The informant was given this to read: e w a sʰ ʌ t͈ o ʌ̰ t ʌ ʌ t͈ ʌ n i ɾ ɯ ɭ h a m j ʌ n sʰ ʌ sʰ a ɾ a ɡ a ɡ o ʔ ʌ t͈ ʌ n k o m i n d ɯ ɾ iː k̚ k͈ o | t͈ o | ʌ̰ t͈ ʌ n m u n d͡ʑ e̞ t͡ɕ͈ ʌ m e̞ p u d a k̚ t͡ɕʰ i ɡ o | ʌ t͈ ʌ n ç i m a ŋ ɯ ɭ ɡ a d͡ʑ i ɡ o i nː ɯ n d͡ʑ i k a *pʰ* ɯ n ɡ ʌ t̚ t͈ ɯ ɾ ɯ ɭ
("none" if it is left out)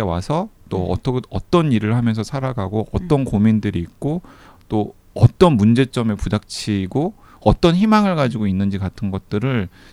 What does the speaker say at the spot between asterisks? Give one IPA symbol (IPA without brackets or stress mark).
tʰ